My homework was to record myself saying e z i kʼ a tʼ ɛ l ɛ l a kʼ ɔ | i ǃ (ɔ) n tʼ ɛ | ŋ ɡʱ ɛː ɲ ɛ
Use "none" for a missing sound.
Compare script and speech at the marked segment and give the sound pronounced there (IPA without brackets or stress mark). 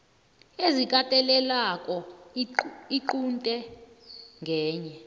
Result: u